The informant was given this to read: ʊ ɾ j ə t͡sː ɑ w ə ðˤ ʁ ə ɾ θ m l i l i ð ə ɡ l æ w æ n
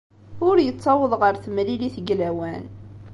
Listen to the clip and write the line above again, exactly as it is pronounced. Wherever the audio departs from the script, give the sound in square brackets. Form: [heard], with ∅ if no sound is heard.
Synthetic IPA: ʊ ɾ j ə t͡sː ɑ w ə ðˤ ʁ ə ɾ θ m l i l i [θ] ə ɡ l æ w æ n

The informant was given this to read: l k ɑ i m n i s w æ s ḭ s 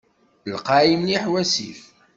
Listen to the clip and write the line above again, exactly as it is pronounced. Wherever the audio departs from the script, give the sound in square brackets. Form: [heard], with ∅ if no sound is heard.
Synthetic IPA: l [q] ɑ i m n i [ħ] w æ s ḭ [f]

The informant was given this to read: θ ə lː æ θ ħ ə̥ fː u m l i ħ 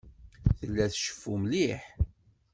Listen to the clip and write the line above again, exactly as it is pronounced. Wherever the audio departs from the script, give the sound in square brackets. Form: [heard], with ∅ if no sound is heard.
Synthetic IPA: θ ə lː æ θ [ʃ] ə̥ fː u m l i ħ

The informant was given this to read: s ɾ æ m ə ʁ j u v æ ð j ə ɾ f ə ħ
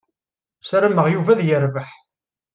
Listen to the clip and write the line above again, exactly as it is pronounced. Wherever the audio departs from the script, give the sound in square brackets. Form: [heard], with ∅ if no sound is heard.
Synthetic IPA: s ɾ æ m ə ʁ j u v æ ð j ə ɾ [v] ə ħ

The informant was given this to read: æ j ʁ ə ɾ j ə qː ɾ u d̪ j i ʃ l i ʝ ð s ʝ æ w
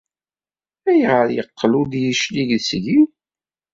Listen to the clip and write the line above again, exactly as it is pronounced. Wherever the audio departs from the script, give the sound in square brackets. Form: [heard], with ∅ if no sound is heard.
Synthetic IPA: æ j ʁ ə ɾ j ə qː [l] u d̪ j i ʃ l i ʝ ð s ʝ [i] w

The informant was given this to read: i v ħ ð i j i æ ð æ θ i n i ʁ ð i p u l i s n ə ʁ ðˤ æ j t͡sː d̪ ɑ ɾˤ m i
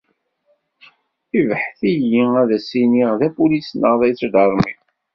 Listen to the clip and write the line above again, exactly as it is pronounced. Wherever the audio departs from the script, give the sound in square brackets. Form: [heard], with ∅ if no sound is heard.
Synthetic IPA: i v ħ [θ] i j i æ ð æ [s] i n i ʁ ð [æ] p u l i s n ə ʁ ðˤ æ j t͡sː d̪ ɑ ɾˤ m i

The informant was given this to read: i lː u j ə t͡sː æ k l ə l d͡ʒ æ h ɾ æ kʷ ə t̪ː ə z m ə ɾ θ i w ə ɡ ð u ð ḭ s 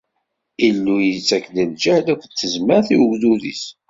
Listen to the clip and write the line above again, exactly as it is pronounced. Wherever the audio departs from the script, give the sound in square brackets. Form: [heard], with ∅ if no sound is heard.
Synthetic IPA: i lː u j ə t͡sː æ k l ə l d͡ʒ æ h [l] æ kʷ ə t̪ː ə z m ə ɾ θ i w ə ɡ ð u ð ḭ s

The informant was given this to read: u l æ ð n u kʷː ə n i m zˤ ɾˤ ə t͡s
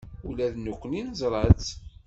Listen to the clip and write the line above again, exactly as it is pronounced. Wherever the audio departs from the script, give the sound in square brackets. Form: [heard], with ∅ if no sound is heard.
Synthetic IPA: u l æ ð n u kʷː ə n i [n] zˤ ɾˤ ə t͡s

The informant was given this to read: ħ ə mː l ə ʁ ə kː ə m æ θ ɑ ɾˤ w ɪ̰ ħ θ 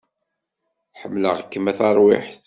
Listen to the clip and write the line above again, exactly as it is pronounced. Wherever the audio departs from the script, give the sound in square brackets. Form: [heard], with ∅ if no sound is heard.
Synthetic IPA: ħ ə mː l ə ʁ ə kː ə m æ θ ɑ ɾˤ w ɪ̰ ħ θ

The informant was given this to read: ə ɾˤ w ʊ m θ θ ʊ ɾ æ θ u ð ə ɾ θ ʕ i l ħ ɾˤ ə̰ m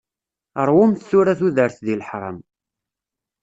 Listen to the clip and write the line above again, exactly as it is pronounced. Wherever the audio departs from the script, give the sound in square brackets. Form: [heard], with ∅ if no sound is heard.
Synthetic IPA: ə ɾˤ w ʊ m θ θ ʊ ɾ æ θ u ð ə ɾ θ [ð] i l ħ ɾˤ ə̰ m

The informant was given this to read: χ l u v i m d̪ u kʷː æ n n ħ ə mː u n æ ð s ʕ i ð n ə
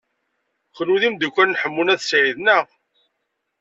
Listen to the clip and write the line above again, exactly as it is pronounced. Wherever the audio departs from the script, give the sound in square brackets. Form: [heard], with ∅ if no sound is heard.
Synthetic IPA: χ l u [ð] i m d̪ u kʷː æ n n ħ ə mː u n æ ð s ʕ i ð n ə

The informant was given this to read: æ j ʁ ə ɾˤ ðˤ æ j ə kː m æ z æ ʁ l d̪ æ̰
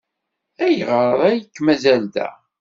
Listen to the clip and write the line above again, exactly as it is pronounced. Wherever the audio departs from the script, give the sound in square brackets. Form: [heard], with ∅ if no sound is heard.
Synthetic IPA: æ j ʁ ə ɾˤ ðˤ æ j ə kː m æ z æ [∅] l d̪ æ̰

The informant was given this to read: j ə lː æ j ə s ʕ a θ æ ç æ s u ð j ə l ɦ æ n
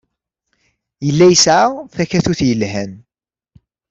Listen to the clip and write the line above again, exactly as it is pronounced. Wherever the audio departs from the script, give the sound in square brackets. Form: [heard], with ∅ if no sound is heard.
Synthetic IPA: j ə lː æ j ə s ʕ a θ æ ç æ [θ] u [θ] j ə l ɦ æ n

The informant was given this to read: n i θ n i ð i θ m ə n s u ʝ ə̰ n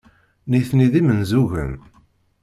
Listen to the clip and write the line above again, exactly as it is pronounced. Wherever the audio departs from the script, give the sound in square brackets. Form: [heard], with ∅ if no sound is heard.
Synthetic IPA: n i θ n i ð i [∅] m ə n [z] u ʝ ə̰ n

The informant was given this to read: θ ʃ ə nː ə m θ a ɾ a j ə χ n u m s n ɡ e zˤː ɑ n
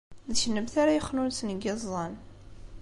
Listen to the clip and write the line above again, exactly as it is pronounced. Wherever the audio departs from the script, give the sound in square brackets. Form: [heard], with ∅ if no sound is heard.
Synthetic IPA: [ð] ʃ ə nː ə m θ a ɾ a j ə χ n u [n] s n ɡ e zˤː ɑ n

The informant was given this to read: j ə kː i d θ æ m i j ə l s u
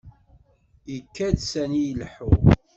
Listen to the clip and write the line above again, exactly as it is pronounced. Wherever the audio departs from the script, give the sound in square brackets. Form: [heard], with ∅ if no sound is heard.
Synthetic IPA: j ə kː [æ] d [s] æ [n] i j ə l [ħ] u

